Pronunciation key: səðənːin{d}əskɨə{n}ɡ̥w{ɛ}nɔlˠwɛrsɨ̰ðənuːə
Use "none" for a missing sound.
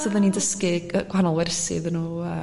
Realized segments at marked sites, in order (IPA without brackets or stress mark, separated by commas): d, none, a